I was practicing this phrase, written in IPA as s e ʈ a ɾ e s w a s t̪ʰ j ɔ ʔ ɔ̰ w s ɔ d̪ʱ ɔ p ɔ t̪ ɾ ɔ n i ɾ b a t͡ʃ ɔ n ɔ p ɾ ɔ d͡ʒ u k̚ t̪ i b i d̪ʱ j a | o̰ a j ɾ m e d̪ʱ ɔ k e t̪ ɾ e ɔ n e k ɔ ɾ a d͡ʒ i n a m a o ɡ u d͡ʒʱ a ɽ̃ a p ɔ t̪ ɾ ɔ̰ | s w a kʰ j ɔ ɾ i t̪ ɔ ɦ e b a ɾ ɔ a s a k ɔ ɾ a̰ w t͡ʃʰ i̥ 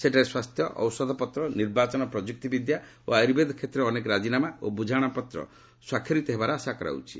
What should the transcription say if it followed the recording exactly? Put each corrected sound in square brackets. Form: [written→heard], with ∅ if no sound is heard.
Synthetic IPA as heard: s e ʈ a ɾ e s w a s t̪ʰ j ɔ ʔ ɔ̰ w s ɔ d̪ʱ ɔ p ɔ t̪ ɾ ɔ n i ɾ b a t͡ʃ ɔ n ɔ p ɾ ɔ d͡ʒ u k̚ t̪ i b i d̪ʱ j a | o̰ a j ɾ [m→b] e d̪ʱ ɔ [k→kʰ] e t̪ ɾ e ɔ n e k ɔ ɾ a d͡ʒ i n a m a o [ɡ→b] u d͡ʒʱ a ɽ̃ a p ɔ t̪ ɾ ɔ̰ | s w a kʰ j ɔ ɾ i t̪ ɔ ɦ e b a ɾ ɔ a s a k ɔ ɾ a̰ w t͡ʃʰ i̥